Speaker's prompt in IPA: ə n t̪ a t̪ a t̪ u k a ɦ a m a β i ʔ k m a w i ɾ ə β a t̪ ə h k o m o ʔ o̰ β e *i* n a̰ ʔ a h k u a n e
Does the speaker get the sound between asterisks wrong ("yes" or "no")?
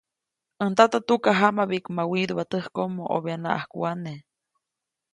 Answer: yes